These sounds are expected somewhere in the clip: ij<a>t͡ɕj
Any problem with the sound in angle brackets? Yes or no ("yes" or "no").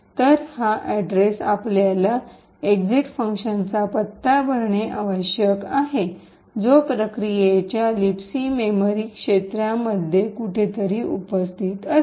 yes